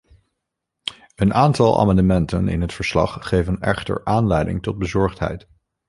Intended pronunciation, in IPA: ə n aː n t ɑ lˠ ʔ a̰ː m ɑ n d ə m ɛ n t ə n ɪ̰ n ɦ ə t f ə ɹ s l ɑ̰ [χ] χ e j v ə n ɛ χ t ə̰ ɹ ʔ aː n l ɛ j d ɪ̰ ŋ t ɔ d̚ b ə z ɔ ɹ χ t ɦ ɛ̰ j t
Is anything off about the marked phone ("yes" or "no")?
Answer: no